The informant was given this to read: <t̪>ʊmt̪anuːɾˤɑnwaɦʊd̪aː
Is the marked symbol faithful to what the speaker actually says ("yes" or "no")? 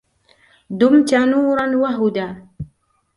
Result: no